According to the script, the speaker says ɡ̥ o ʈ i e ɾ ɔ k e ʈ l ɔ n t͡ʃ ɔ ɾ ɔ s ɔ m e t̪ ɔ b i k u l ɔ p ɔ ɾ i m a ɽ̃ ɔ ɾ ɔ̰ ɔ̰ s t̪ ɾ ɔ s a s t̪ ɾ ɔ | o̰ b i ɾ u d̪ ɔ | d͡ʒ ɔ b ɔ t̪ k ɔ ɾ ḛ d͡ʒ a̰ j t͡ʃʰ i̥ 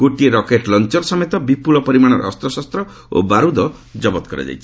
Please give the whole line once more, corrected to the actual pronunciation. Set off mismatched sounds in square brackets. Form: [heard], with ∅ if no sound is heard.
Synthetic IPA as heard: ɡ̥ o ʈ i e ɾ ɔ k e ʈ l ɔ n t͡ʃ ɔ ɾ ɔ s ɔ m e t̪ ɔ b i [p] u l ɔ p ɔ ɾ i m a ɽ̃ ɔ ɾ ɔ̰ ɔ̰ s t̪ ɾ ɔ s a s t̪ ɾ ɔ | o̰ b [a] ɾ u d̪ ɔ | d͡ʒ ɔ b ɔ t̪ k ɔ ɾ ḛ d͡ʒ a̰ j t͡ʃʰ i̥

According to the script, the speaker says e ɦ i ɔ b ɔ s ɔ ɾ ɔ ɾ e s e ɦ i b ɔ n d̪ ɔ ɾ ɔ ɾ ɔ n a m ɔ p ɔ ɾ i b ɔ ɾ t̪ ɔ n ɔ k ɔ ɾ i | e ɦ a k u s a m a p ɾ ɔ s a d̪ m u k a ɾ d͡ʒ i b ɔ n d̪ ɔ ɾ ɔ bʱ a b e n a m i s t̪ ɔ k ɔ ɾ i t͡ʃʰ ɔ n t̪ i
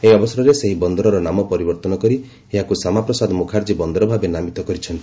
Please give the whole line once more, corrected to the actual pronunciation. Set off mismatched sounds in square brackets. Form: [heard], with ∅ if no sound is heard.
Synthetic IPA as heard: e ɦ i ɔ b ɔ s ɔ ɾ ɔ ɾ e s e ɦ i b ɔ n d̪ ɔ ɾ ɔ ɾ ɔ n a m ɔ p ɔ ɾ i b ɔ ɾ t̪ ɔ n ɔ k ɔ ɾ i | e ɦ a k u s a m a p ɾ ɔ s a d̪ m u [kʰ] a ɾ d͡ʒ i b ɔ n d̪ ɔ ɾ ɔ bʱ a b e n a m i [∅] t̪ ɔ k ɔ ɾ i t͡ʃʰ ɔ n t̪ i

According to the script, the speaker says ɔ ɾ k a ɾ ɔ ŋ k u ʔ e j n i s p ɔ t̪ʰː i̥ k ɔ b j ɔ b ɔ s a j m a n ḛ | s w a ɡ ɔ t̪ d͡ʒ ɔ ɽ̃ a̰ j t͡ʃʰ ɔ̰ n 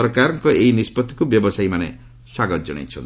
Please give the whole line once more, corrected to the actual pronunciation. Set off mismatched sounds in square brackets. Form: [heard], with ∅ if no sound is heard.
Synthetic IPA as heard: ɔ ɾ k a ɾ ɔ ŋ k [ɔ] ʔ e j n i s p ɔ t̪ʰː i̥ k [u] b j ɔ b ɔ s a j m a n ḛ | s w a ɡ ɔ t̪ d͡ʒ ɔ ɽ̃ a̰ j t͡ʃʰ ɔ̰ n

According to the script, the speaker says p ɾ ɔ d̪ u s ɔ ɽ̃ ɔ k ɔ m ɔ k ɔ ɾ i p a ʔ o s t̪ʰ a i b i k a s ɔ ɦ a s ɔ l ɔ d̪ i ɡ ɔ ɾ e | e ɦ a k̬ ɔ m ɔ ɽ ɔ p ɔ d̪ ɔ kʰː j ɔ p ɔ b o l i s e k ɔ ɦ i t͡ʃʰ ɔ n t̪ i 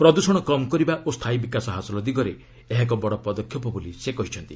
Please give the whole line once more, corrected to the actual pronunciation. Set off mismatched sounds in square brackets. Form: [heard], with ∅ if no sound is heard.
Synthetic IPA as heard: p ɾ ɔ d̪ u s ɔ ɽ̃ ɔ k ɔ m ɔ k ɔ ɾ i [b] a ʔ o s t̪ʰ a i b i k a s ɔ ɦ a s ɔ l ɔ d̪ i ɡ ɔ ɾ e | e ɦ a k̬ ɔ [b] ɔ ɽ ɔ p ɔ d̪ ɔ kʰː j ɔ p ɔ b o l i s e k ɔ ɦ i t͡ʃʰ ɔ n t̪ i

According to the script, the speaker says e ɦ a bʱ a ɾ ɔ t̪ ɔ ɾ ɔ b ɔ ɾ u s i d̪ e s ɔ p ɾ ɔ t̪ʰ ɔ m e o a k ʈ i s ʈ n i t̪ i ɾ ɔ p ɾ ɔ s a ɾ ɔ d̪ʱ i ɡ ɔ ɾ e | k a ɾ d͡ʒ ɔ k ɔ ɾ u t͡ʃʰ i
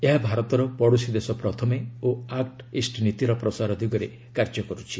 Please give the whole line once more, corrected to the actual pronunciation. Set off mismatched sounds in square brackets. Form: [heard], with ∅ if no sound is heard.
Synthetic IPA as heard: e ɦ a bʱ a ɾ ɔ t̪ ɔ ɾ ɔ [p] ɔ [ɽ] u s i d̪ e s ɔ p ɾ ɔ t̪ʰ ɔ m e o a k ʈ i s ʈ n i t̪ i ɾ ɔ p ɾ ɔ s a ɾ ɔ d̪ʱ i ɡ ɔ ɾ e | k a ɾ d͡ʒ ɔ k ɔ ɾ u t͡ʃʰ i

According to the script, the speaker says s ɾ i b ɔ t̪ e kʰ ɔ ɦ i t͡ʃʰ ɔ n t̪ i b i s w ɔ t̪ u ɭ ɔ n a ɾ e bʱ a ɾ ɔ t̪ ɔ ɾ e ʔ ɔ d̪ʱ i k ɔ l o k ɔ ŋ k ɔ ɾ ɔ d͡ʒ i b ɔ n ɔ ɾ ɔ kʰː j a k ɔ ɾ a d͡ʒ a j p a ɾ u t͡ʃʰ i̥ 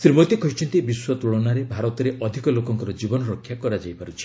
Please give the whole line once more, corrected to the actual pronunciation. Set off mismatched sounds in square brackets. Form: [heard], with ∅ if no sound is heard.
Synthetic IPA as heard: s ɾ i [m] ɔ t̪ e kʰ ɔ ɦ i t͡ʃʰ ɔ n t̪ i b i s w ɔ t̪ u ɭ ɔ n a ɾ e bʱ a ɾ ɔ t̪ ɔ ɾ e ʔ ɔ d̪ʱ i k ɔ l o k ɔ ŋ k ɔ ɾ ɔ d͡ʒ i b ɔ n ɔ ɾ ɔ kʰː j a k ɔ ɾ a d͡ʒ a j p a ɾ u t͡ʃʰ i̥

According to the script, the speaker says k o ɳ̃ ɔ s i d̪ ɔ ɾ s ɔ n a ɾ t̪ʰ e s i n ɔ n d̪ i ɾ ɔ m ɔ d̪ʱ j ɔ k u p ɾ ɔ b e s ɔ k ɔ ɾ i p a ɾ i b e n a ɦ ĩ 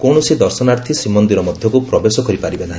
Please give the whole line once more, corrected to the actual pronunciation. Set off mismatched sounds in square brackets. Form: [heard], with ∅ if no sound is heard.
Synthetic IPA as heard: k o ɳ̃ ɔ s i d̪ ɔ ɾ s ɔ n a ɾ t̪ʰ [i] s i [m] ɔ n d̪ i ɾ ɔ m ɔ d̪ʱ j ɔ k u p ɾ ɔ b e s ɔ k ɔ ɾ i p a ɾ i b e n a ɦ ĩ

